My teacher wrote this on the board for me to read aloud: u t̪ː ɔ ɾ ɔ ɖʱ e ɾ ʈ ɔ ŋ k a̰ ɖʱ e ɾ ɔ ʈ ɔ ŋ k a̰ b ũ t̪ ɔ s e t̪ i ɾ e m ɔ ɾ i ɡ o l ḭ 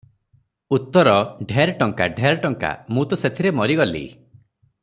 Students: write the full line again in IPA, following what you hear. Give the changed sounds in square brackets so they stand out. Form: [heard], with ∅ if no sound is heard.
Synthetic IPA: u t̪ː ɔ ɾ ɔ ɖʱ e ɾ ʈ ɔ ŋ k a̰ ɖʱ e ɾ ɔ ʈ ɔ ŋ k a̰ [m] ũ t̪ ɔ s e [t̪ʰ] i ɾ e m ɔ ɾ i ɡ [ɔ] l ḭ